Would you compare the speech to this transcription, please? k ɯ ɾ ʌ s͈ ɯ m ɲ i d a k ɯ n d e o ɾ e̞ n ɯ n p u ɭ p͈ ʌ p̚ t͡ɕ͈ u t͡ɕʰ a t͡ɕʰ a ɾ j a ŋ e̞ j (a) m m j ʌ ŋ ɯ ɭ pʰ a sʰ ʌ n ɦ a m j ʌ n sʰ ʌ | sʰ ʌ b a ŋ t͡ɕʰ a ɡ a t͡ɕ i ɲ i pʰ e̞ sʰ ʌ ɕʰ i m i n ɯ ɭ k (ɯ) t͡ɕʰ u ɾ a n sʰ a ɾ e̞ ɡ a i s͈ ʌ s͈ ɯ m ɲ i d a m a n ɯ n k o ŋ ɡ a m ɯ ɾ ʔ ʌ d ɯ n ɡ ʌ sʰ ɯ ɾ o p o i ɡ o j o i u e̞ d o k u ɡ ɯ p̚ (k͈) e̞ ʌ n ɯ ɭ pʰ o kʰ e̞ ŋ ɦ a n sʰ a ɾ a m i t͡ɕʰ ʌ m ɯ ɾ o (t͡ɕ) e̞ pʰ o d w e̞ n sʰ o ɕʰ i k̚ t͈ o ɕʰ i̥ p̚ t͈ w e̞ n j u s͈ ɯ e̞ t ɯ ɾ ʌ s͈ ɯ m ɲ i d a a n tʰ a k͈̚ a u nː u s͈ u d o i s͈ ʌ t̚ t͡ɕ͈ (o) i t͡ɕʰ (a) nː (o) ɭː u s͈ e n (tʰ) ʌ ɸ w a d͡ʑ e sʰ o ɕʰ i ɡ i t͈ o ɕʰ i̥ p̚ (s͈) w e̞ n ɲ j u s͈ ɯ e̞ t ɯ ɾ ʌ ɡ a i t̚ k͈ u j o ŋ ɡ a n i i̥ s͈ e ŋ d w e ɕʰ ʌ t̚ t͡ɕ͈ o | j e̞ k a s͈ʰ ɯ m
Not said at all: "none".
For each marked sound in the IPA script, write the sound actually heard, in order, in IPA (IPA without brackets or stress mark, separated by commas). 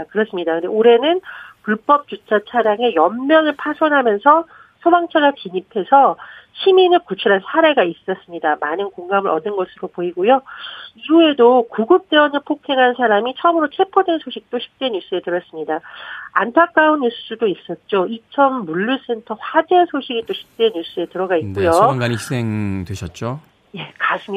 ʌ, u, t͈, t͡ɕʰ, o, ʌ, u, tʰ, t͈